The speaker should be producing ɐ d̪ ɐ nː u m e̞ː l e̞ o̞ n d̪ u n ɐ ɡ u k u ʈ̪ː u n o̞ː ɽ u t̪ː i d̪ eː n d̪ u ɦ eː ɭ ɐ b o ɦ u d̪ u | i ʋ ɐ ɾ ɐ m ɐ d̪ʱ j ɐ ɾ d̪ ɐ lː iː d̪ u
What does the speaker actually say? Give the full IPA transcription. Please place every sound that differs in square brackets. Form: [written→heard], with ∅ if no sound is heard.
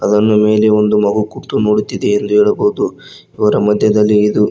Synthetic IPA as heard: ɐ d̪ ɐ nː u m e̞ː l e̞ o̞ n d̪ u [n→m] ɐ ɡ u k u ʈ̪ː u n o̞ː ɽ u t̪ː i d̪ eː n d̪ u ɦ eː ɭ ɐ b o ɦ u d̪ u | i ʋ ɐ ɾ ɐ m ɐ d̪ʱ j ɐ [ɾ→∅] d̪ ɐ lː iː d̪ u